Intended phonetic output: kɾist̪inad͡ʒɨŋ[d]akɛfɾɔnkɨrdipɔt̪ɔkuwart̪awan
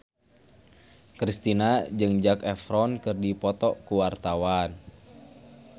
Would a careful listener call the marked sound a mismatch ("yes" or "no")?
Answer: yes